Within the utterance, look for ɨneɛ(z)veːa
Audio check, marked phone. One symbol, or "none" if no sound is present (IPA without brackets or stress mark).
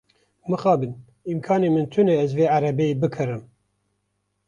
z